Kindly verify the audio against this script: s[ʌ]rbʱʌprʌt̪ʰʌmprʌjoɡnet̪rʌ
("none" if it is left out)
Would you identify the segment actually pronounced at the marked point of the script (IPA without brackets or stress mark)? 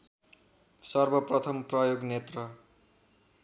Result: ʌ